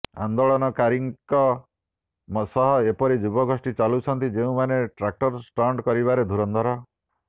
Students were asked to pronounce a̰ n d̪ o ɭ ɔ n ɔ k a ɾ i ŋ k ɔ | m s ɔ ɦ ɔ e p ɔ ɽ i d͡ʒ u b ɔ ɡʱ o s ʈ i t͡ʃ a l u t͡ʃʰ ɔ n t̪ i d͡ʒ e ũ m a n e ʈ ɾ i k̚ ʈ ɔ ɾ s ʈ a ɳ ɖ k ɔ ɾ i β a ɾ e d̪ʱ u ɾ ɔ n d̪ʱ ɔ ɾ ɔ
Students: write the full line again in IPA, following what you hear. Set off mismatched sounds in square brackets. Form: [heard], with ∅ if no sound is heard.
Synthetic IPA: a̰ n d̪ o ɭ ɔ n ɔ k a ɾ i ŋ k ɔ | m s ɔ ɦ ɔ e p ɔ [ɾ] i d͡ʒ u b ɔ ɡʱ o s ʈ i t͡ʃ a l u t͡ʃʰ ɔ n t̪ i d͡ʒ e ũ m a n e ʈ ɾ [a] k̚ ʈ ɔ ɾ s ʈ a ɳ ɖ k ɔ ɾ i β a ɾ e d̪ʱ u ɾ ɔ n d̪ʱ ɔ ɾ ɔ